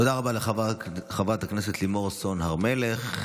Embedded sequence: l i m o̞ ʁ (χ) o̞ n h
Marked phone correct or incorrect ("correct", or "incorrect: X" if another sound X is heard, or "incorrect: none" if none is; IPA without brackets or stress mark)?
incorrect: s